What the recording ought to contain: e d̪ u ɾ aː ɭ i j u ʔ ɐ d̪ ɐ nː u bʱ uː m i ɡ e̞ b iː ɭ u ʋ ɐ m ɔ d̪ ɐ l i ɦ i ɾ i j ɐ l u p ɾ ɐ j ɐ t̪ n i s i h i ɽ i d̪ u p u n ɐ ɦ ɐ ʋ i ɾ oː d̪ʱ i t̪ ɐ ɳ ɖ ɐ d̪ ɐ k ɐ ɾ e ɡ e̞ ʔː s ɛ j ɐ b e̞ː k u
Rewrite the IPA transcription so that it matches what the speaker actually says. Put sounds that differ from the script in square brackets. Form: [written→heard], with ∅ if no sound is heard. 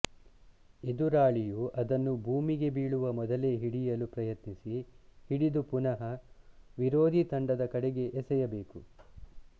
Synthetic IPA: e d̪ u ɾ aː ɭ i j u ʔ ɐ d̪ ɐ nː u bʱ uː m i ɡ e̞ b iː ɭ u ʋ ɐ m ɔ d̪ ɐ l [i→e] ɦ i [ɾ→ɽ] i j ɐ l u p ɾ ɐ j ɐ t̪ n i s i h i ɽ i d̪ u p u n ɐ ɦ ɐ ʋ i ɾ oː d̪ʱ i t̪ ɐ ɳ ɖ ɐ d̪ ɐ k ɐ [ɾ→ɽ] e ɡ e̞ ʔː s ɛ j ɐ b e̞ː k u

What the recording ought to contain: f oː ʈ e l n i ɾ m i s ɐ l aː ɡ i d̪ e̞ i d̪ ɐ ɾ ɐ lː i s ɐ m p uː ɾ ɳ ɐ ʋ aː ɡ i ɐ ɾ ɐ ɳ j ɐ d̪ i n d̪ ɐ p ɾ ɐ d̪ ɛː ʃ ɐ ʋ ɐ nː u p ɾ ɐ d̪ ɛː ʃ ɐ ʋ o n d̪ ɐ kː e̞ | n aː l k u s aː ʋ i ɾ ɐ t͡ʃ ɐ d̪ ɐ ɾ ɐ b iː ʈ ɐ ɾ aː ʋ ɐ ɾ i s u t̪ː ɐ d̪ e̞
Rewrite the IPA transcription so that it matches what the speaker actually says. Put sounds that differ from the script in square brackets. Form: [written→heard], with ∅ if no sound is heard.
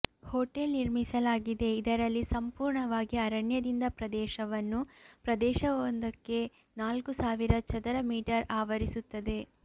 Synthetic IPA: [f→h] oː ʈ e l n i ɾ m i s ɐ l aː ɡ i d̪ e̞ i d̪ ɐ ɾ ɐ lː i s ɐ m p uː ɾ ɳ ɐ ʋ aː ɡ i ɐ ɾ ɐ ɳ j ɐ d̪ i n d̪ ɐ p ɾ ɐ d̪ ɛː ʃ ɐ ʋ ɐ nː u p ɾ ɐ d̪ ɛː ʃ ɐ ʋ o n d̪ ɐ kː e̞ | n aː l k u s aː ʋ i ɾ ɐ t͡ʃ ɐ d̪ ɐ ɾ ɐ [b→m] iː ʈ ɐ ɾ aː ʋ ɐ ɾ i s u t̪ː ɐ d̪ e̞

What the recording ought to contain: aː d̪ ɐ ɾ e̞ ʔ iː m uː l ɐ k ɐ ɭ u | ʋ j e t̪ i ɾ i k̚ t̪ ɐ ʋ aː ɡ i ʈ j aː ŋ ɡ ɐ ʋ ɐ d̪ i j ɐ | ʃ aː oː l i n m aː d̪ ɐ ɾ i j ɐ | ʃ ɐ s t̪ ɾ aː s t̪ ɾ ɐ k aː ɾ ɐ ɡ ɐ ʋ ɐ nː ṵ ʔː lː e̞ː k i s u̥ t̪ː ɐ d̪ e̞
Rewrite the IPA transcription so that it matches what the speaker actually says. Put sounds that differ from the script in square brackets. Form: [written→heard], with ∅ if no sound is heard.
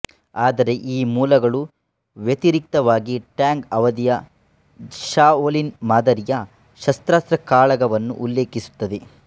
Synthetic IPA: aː d̪ ɐ ɾ e̞ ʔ iː m uː l ɐ [k→ɡ] ɐ ɭ u | ʋ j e t̪ i ɾ i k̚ t̪ ɐ ʋ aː ɡ i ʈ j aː ŋ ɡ ɐ ʋ ɐ d̪ i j ɐ | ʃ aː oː l i n m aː d̪ ɐ ɾ i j ɐ | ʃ ɐ s t̪ ɾ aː s t̪ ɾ ɐ k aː [ɾ→ɭ] ɐ ɡ ɐ ʋ ɐ nː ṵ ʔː lː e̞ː k i s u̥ t̪ː ɐ d̪ e̞

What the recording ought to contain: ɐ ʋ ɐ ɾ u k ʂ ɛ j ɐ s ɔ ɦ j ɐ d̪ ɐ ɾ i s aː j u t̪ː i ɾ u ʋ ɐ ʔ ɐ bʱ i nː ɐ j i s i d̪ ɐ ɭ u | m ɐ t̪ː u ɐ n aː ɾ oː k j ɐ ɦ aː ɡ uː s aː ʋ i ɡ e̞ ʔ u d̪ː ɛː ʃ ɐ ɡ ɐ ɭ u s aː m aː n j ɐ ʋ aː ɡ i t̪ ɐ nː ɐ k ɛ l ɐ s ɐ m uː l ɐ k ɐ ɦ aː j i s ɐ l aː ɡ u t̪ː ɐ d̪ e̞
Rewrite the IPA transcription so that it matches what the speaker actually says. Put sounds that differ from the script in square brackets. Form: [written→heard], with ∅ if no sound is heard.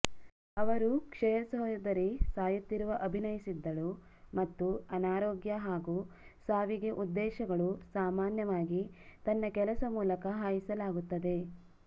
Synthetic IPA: ɐ ʋ ɐ ɾ u k ʂ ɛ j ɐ s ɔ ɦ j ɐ d̪ ɐ ɾ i s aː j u t̪ː i ɾ u ʋ ɐ ʔ ɐ bʱ i [nː→n] ɐ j i s i [d̪→d̪ː] ɐ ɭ u | m ɐ t̪ː u ɐ n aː ɾ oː [k→ɡ] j ɐ ɦ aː ɡ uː s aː ʋ i ɡ e̞ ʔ u d̪ː ɛː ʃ ɐ ɡ ɐ ɭ u s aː m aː n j ɐ ʋ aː ɡ i t̪ ɐ nː ɐ k ɛ l ɐ s ɐ m uː l ɐ k ɐ ɦ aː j i s ɐ l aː ɡ u t̪ː ɐ d̪ e̞

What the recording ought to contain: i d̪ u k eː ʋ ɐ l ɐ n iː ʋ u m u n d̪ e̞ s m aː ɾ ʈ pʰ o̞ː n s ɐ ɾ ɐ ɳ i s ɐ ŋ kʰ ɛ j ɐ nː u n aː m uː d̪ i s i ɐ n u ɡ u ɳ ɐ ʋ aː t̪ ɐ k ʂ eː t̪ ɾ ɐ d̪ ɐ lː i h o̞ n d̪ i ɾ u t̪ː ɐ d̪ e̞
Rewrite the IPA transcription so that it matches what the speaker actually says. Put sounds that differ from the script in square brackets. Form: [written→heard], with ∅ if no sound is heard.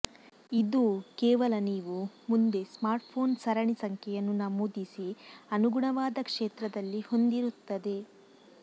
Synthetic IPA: i d̪ u k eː ʋ ɐ l ɐ n iː ʋ u m u n d̪ e̞ s m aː ɾ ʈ pʰ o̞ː n s ɐ ɾ ɐ ɳ i s ɐ ŋ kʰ ɛ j ɐ nː u n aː m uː d̪ i s i ɐ n u ɡ u ɳ ɐ ʋ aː [t̪→d̪] ɐ k ʂ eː t̪ ɾ ɐ d̪ ɐ lː i h o̞ n d̪ i ɾ u t̪ː ɐ d̪ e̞

